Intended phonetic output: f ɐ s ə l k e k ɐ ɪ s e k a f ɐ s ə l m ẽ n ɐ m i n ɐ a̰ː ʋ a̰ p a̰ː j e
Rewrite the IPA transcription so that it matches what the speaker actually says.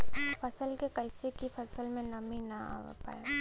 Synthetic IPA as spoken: f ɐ s ə l k e k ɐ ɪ s e k i f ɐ s ə l m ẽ n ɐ m i n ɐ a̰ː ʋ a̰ p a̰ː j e